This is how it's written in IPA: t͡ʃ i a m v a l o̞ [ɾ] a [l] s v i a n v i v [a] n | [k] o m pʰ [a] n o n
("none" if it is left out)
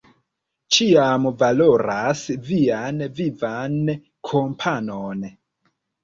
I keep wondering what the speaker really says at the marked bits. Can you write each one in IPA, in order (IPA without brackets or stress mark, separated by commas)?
ɾ, none, a, kʰ, a